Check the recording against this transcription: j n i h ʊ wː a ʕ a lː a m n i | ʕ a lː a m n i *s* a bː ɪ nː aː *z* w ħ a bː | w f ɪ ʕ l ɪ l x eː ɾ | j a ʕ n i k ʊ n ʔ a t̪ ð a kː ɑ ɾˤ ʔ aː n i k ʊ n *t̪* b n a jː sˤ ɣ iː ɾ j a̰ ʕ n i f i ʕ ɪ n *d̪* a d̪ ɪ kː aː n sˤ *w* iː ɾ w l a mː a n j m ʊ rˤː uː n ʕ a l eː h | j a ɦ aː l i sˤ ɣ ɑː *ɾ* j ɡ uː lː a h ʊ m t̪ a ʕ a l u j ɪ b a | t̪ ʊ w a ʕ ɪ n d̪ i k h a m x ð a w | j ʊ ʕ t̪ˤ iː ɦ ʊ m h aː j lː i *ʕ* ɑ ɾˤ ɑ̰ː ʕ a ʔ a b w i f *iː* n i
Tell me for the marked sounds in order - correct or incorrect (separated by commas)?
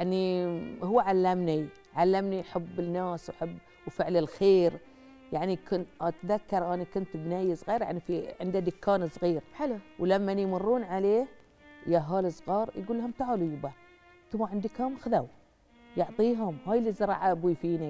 incorrect, incorrect, correct, correct, incorrect, correct, incorrect, correct